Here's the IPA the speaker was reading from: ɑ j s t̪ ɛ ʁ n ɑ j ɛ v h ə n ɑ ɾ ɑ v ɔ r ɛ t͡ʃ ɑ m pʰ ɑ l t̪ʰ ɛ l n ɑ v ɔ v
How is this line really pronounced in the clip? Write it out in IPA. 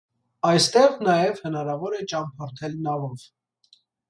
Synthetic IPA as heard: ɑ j s t̪ ɛ ʁ n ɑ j ɛ v h ə n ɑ ɾ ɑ v ɔ ɾ ɛ t͡ʃ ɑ m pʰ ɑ ɾ t̪ʰ ɛ l n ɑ v ɔ v